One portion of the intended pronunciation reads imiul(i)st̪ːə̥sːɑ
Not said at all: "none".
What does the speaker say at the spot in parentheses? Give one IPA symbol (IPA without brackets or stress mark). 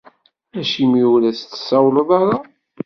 æ